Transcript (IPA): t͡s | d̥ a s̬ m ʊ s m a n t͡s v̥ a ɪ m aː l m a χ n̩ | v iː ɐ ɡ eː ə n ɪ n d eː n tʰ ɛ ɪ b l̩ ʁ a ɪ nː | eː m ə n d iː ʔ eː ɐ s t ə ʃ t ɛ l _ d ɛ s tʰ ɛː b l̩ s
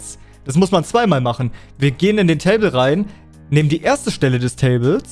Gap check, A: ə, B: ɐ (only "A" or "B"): A